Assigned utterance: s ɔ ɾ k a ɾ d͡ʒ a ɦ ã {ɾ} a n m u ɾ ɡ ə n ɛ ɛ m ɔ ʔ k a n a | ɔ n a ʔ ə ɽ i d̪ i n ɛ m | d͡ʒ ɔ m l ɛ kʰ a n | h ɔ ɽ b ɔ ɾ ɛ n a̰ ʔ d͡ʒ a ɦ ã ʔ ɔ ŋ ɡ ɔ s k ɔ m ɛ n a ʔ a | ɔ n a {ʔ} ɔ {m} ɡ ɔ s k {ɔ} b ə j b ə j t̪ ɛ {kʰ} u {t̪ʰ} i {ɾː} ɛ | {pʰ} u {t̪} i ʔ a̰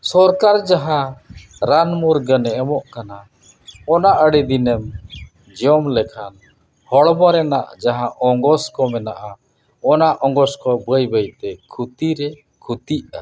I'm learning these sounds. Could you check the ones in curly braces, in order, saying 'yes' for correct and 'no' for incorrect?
yes, yes, no, yes, yes, no, no, no, yes

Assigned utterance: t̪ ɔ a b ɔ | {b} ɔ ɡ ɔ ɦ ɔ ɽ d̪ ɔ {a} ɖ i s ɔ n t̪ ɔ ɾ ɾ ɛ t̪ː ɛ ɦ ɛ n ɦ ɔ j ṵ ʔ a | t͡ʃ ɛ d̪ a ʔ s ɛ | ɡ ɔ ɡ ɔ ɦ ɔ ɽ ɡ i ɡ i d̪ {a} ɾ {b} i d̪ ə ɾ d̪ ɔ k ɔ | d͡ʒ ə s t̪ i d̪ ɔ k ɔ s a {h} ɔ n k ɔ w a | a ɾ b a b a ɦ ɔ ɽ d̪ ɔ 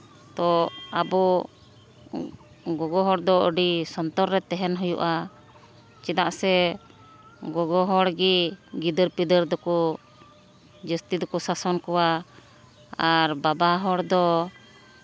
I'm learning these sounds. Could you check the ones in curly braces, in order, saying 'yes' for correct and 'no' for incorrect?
no, no, no, no, no

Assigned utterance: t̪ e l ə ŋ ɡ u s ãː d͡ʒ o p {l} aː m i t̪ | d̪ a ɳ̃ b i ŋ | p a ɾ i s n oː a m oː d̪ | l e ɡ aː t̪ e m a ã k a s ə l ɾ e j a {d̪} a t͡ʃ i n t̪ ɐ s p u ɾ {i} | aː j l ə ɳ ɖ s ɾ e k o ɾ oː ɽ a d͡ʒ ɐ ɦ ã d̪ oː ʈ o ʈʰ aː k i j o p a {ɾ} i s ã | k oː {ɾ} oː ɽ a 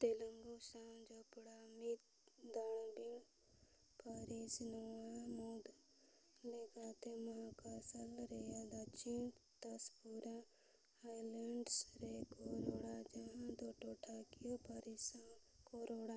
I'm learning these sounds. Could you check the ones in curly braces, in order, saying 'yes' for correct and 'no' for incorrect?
no, yes, no, yes, yes

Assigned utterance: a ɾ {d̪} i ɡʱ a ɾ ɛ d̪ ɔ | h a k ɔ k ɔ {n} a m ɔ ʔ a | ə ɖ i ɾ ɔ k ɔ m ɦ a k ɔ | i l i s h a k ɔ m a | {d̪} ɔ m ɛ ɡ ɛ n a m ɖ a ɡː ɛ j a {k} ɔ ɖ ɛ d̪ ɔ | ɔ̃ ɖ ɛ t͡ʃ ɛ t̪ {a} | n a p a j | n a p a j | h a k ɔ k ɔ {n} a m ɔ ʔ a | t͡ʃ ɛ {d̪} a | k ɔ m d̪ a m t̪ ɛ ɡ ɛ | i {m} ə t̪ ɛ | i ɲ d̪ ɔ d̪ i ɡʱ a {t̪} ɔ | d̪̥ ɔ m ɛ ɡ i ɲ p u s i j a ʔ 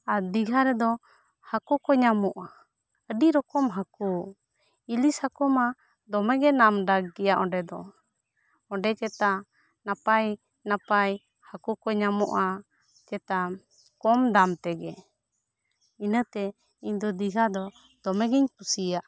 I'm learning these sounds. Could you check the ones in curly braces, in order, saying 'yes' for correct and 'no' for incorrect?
yes, no, yes, no, yes, no, no, no, no

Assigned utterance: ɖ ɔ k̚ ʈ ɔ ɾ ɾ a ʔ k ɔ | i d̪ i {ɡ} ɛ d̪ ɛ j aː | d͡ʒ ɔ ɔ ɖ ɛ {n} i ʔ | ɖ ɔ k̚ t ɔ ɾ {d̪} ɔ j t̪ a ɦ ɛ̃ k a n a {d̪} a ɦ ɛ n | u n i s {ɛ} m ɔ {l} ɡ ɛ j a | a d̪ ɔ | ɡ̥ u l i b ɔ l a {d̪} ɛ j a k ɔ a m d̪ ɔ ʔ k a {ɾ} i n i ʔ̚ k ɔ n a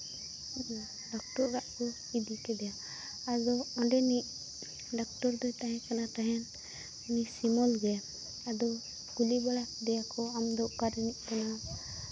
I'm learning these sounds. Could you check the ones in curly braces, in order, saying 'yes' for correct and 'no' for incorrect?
no, yes, yes, no, no, yes, yes, yes

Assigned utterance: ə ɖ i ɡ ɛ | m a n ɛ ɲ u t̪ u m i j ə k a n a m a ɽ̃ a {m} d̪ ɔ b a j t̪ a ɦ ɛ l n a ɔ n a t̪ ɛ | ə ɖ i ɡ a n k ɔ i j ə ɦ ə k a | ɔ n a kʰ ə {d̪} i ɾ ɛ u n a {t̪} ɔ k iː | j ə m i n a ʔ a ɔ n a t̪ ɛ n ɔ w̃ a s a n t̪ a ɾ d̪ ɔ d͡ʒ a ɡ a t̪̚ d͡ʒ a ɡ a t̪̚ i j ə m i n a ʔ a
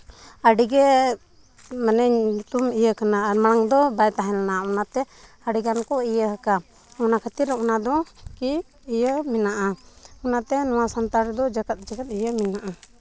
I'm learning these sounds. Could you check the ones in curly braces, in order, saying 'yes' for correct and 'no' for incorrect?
no, no, no

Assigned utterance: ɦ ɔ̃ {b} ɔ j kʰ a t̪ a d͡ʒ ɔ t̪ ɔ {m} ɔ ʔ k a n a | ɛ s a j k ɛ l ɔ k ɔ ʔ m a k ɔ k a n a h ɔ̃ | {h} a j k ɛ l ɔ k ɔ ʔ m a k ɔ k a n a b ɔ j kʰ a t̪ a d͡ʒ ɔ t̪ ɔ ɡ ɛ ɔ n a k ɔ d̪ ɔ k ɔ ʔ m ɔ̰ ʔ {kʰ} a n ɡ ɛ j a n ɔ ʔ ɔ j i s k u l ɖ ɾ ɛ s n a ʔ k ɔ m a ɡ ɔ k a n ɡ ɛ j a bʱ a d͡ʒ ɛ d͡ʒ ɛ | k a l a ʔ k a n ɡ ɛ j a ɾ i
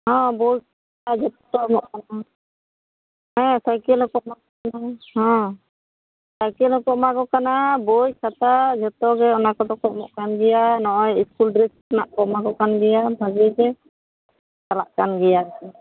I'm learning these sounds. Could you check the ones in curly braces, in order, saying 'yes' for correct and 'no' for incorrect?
yes, yes, no, no

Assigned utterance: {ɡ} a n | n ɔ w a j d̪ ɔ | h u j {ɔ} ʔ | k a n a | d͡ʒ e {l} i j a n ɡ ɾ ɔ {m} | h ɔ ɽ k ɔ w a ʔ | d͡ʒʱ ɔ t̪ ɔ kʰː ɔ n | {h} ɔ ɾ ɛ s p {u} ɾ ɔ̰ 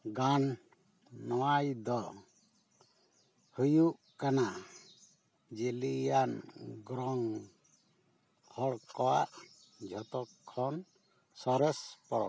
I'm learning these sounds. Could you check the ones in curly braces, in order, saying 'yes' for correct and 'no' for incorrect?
yes, no, yes, no, no, no

